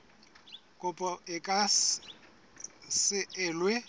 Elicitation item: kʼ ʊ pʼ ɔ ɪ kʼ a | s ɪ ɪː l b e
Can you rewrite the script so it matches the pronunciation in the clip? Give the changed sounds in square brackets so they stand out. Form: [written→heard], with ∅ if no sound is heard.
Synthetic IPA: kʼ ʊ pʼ ɔ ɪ kʼ a | s ɪ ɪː l [b→w] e